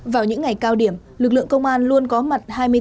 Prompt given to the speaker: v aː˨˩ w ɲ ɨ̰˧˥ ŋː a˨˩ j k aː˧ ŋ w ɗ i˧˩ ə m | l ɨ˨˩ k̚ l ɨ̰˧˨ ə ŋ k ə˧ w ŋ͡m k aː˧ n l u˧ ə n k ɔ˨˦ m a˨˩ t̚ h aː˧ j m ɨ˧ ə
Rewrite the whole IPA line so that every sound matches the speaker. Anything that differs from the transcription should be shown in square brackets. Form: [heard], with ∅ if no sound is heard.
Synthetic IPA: v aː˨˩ w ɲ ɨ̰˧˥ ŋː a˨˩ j k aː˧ [∅] w ɗ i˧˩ ə m | l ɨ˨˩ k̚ l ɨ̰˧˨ ə ŋ k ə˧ w ŋ͡m [ʔ] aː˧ n l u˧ ə n k ɔ˨˦ m a˨˩ t̚ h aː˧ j m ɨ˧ ə